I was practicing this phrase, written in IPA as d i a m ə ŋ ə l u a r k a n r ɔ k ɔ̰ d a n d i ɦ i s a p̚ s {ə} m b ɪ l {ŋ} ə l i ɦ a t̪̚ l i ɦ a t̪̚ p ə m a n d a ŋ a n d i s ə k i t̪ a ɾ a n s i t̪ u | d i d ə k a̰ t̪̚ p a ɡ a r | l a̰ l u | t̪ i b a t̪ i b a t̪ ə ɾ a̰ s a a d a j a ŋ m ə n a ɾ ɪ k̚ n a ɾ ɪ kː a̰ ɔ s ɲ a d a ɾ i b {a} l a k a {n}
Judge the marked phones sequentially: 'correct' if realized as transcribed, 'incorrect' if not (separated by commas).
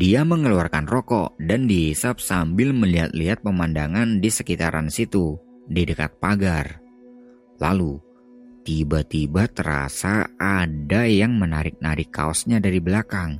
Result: incorrect, incorrect, incorrect, incorrect